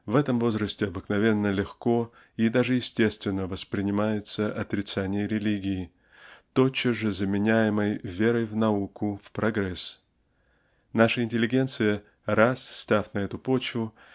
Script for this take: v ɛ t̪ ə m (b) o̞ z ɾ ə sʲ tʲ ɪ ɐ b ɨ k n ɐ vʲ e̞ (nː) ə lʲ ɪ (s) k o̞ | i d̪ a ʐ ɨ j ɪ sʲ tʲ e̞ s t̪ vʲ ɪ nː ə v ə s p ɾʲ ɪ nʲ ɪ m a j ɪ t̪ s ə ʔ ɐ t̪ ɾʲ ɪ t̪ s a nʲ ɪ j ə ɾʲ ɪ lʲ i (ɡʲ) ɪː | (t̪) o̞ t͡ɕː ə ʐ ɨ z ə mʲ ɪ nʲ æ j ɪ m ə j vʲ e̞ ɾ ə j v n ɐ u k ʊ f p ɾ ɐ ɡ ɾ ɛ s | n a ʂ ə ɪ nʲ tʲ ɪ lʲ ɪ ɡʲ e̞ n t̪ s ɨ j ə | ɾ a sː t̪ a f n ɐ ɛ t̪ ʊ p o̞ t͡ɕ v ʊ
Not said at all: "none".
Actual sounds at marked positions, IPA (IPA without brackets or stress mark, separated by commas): v, nː, x, ɡʲ, t̪